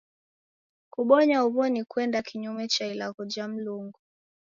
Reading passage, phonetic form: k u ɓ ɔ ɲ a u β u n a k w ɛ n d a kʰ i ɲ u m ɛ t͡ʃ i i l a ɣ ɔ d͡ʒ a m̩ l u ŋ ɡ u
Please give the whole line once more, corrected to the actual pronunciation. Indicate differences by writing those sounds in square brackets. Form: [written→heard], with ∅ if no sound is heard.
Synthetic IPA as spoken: k u ɓ ɔ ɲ a u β [u→ɔ] n [a→i] k w ɛ n d a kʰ i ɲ u m ɛ t͡ʃ [i→a] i l a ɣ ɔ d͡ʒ a m̩ l u ŋ ɡ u